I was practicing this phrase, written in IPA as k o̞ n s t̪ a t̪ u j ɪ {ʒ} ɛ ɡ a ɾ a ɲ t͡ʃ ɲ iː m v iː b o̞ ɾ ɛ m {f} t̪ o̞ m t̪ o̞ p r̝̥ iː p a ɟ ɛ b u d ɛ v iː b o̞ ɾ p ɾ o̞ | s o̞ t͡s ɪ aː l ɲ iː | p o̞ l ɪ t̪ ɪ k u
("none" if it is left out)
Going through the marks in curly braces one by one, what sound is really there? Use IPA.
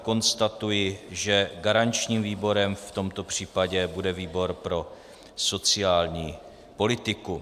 ʒ, f

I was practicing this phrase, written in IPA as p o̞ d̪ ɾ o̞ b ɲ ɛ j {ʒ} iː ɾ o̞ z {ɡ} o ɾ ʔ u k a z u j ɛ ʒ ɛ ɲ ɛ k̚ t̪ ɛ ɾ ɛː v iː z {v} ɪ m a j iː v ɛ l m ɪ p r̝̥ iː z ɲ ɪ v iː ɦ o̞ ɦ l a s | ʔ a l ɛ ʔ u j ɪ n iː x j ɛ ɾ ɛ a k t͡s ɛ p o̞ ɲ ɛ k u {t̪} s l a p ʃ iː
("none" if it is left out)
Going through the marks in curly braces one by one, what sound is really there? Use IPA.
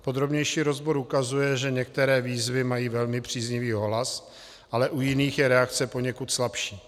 ʃ, b, v, t̪

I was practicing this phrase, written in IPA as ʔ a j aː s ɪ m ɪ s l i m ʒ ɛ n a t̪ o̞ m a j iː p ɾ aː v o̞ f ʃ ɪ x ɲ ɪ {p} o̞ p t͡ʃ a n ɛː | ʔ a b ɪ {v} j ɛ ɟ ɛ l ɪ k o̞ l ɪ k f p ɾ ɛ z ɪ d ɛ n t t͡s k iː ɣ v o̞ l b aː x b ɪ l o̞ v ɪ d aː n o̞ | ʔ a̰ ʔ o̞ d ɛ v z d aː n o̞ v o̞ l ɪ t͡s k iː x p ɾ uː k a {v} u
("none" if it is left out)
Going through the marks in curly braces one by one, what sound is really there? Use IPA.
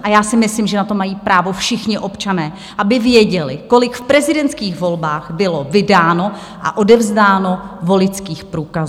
ʔ, v, z

